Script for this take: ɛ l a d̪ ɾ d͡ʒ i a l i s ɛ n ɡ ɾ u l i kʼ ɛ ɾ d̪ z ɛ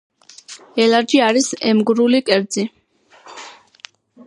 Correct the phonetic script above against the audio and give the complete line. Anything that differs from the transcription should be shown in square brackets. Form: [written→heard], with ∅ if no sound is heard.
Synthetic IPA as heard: ɛ l a [d̪→∅] ɾ d͡ʒ i a [l→ɾ] i s ɛ [n→m] ɡ ɾ u l i kʼ ɛ ɾ d̪ z [ɛ→i]

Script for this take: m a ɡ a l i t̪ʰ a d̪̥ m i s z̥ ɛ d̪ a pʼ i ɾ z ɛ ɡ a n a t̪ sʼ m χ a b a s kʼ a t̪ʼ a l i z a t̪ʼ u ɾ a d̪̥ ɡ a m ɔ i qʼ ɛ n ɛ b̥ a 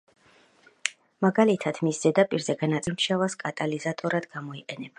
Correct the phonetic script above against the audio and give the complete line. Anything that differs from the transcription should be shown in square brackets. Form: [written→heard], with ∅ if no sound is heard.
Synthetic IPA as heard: m a ɡ a l i t̪ʰ a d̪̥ m i s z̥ ɛ d̪ a pʼ i ɾ z ɛ ɡ a n a t̪ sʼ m [χ→ʃ] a [b→v] a s kʼ a t̪ʼ a l i z a t̪ʼ [u→ɔ] ɾ a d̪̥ ɡ a m ɔ i qʼ ɛ n ɛ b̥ a

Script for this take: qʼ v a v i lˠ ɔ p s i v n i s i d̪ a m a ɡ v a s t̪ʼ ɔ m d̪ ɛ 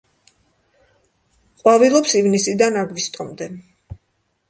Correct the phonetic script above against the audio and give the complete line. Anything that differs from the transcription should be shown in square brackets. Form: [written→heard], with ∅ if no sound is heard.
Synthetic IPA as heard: qʼ [v→w] a v i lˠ ɔ p s i v n i s i d̪ a [m→n] a ɡ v [a→i] s t̪ʼ ɔ m d̪ ɛ

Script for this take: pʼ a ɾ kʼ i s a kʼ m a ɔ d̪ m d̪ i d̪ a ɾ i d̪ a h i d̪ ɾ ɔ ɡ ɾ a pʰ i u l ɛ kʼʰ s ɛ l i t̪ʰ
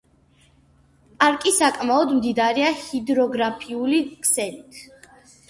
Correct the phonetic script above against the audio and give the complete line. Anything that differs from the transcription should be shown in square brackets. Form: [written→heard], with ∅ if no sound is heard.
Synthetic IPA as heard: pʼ a ɾ kʼ i s a kʼ m a ɔ d̪ m d̪ i d̪ a ɾ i [d̪→∅] a h i d̪ ɾ ɔ ɡ ɾ a pʰ i u l [ɛ→i] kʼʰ s ɛ l i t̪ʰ

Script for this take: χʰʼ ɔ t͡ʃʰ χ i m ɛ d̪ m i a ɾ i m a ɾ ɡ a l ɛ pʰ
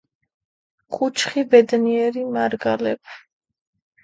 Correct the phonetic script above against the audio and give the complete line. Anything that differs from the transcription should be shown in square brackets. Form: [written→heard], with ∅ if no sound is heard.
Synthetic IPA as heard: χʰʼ [ɔ→u] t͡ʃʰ χ i [m→b] ɛ d̪ [m→n] i [a→ɛ] ɾ i m a ɾ ɡ a l ɛ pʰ

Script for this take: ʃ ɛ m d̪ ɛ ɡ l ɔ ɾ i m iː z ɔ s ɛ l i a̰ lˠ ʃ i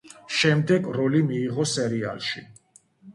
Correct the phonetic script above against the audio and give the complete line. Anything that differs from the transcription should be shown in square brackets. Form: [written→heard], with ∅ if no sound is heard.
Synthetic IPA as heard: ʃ ɛ m d̪ ɛ ɡ [l→ɾ] ɔ [ɾ→l] i m iː [z→ʁ] ɔ s ɛ [l→ɾ] i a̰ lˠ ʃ i

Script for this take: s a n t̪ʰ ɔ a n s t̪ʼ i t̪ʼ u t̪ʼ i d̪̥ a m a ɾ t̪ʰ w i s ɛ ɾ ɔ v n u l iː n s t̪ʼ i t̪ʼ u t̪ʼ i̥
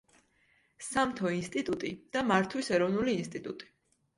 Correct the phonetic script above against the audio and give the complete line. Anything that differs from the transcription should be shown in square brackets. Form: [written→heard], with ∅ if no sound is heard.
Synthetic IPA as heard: s a [n→m] t̪ʰ ɔ [a→i] n s t̪ʼ i t̪ʼ u t̪ʼ i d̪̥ a m a ɾ t̪ʰ w i s ɛ ɾ ɔ v n u l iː n s t̪ʼ i t̪ʼ u t̪ʼ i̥

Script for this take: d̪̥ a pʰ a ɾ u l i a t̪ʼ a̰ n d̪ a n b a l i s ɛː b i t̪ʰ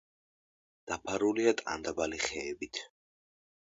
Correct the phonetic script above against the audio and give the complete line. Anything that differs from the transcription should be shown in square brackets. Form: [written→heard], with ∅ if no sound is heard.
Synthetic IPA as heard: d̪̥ a pʰ a ɾ u l i a t̪ʼ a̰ n d̪ a [n→∅] b a l i [s→χ] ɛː b i t̪ʰ

